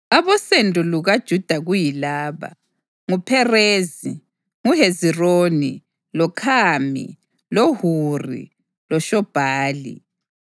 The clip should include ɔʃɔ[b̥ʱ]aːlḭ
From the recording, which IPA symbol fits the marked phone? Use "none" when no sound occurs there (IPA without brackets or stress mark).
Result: b̥ʱ